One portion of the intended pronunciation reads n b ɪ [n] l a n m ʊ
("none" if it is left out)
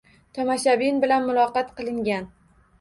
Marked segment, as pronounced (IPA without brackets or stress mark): none